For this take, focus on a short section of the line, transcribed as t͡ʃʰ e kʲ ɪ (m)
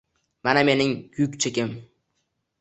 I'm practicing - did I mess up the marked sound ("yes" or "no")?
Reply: no